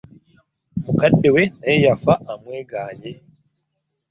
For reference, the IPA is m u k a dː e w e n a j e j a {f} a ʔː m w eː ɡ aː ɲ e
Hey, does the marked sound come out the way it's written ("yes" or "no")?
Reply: yes